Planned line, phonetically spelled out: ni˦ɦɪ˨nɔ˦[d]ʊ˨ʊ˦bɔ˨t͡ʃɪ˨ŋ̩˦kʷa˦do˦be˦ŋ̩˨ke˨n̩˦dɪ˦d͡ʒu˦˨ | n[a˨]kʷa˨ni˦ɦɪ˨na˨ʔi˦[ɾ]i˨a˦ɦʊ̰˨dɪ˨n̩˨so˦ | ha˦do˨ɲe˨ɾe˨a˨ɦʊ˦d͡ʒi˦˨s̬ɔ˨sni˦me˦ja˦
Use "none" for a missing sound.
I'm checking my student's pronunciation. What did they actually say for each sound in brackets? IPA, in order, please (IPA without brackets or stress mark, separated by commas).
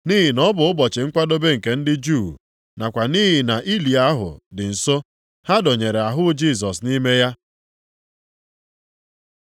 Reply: b, a˨, l